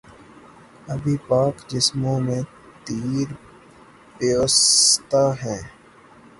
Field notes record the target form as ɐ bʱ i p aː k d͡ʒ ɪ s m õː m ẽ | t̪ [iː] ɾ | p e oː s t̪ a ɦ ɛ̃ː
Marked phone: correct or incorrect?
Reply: correct